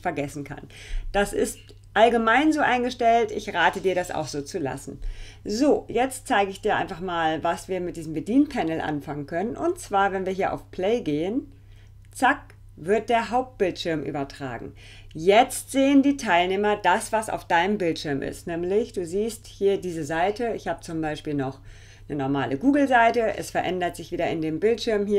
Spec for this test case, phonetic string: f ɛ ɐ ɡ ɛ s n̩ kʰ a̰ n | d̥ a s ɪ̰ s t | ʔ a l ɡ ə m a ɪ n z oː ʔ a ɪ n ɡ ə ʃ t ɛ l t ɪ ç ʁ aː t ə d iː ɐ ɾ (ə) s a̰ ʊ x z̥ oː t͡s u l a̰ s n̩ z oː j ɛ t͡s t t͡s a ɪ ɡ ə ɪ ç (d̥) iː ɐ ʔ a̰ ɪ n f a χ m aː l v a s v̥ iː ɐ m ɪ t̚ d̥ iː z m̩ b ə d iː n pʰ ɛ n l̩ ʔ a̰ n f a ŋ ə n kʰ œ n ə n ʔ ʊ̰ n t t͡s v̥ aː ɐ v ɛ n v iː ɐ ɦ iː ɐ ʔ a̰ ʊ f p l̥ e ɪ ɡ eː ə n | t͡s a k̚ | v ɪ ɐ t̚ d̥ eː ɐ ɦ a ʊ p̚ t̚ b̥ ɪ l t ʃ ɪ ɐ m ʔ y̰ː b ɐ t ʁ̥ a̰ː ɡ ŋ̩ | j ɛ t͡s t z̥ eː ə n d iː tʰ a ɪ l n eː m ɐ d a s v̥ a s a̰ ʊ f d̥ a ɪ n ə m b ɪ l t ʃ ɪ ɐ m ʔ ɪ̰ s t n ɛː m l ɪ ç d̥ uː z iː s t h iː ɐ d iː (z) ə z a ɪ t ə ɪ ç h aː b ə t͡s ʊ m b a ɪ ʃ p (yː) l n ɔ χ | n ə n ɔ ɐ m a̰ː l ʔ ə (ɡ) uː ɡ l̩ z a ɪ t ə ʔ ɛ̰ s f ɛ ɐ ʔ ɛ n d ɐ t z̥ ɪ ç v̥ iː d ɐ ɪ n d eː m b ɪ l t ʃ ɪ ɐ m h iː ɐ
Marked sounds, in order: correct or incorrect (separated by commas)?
incorrect, correct, correct, incorrect, correct